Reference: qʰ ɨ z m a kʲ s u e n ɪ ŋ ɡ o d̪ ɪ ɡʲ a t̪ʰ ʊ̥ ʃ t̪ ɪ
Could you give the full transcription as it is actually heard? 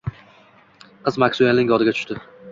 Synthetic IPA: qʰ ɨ z m a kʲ s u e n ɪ ŋ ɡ ɒ d̪ ɪ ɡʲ a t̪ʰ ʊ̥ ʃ t̪ ɪ